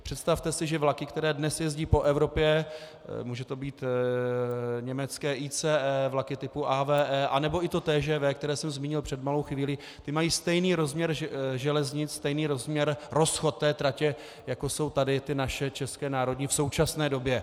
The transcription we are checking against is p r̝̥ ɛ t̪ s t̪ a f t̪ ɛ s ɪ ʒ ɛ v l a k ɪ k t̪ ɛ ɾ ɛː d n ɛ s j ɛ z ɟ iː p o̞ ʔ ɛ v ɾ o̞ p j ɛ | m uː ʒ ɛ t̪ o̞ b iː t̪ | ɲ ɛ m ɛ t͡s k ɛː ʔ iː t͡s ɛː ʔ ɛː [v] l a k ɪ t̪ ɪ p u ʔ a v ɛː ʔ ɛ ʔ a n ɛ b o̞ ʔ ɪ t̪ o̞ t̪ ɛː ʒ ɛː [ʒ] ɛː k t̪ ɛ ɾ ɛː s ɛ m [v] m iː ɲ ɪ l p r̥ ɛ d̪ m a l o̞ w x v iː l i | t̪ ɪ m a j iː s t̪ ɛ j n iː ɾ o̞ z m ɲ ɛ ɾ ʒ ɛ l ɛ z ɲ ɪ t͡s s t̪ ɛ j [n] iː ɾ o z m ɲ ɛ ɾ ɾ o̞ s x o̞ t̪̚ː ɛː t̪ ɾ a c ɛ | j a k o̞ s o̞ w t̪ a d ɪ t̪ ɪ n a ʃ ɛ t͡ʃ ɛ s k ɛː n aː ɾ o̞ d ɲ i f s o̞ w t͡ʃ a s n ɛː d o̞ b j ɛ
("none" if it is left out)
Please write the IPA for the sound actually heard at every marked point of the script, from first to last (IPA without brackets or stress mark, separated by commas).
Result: v, v, z, n